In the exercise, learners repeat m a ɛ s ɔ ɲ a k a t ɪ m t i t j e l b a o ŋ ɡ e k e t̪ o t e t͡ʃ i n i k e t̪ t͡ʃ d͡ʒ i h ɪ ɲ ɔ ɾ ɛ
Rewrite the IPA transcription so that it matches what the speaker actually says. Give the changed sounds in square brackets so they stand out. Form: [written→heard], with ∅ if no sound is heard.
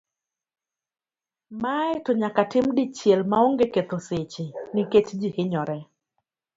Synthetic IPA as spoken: m a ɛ [s→t] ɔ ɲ a k a t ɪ m [t→d] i [t→t͡ʃ] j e l [b→m] a o ŋ ɡ e k e t̪ o [t→s] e t͡ʃ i n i k e [t̪→∅] t͡ʃ d͡ʒ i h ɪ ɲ ɔ ɾ ɛ